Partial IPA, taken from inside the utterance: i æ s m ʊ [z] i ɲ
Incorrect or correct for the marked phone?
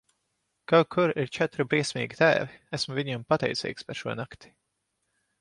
incorrect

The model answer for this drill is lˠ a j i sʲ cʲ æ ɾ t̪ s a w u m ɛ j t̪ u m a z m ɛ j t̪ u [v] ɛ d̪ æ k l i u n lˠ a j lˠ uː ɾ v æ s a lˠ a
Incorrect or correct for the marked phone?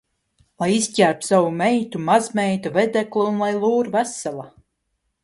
correct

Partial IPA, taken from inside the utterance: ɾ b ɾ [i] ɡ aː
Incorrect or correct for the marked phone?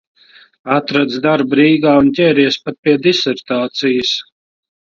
incorrect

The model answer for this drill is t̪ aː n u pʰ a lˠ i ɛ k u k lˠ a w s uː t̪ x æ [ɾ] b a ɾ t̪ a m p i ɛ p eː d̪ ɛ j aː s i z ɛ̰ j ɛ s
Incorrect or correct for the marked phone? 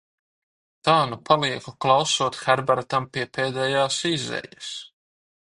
correct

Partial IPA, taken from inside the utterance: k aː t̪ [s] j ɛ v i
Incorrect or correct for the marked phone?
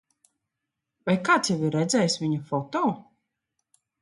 correct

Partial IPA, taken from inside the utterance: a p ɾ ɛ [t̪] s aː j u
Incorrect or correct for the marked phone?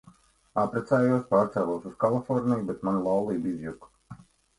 correct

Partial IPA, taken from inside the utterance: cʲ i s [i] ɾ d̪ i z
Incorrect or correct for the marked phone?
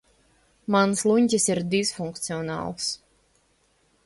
correct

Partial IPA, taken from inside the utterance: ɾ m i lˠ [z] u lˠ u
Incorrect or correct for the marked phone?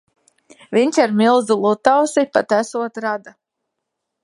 correct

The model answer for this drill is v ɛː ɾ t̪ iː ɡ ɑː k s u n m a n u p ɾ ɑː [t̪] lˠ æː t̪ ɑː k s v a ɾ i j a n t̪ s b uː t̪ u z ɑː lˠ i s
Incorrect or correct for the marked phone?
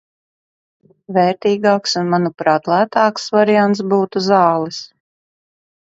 correct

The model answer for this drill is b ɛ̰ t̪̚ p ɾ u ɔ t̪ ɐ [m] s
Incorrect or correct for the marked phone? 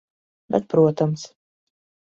correct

